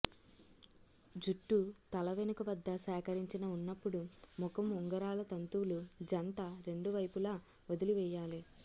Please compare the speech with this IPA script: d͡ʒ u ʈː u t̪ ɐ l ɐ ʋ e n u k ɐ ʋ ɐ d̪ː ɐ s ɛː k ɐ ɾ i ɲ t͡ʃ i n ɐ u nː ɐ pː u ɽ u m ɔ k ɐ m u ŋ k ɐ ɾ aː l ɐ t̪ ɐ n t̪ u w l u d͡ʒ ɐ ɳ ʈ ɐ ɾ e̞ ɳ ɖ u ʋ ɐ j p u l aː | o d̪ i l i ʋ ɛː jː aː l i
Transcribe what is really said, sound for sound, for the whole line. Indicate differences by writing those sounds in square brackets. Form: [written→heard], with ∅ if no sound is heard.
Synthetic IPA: d͡ʒ u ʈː u t̪ ɐ l ɐ ʋ e n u k ɐ ʋ ɐ d̪ː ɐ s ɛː k ɐ ɾ i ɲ t͡ʃ i n ɐ u nː ɐ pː u ɽ u m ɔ k ɐ m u ŋ [k→ɡ] ɐ ɾ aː l ɐ t̪ ɐ n t̪ u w l u d͡ʒ ɐ ɳ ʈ ɐ ɾ e̞ ɳ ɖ u ʋ ɐ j p u l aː | o d̪ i l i ʋ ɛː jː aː l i